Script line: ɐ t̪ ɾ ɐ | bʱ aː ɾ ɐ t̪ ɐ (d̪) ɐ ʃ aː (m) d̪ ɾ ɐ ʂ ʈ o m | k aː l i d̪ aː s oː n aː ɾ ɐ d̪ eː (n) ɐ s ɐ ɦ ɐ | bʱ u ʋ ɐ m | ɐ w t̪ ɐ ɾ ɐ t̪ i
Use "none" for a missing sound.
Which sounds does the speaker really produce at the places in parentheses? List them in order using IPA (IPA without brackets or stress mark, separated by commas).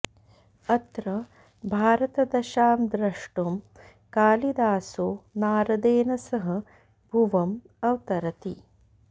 d̪, m, n